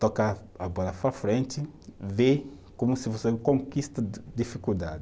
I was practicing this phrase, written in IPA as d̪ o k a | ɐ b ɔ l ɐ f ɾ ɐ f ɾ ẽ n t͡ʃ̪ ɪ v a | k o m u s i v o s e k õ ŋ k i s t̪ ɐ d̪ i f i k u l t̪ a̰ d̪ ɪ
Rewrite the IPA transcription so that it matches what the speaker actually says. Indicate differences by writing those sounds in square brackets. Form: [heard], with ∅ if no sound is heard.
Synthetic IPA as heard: [t̪] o k a | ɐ b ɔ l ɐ f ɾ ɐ f ɾ ẽ n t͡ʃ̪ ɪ v [e] | k o m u s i v o s e k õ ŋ k i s t̪ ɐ d̪ i f i k u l [d̪] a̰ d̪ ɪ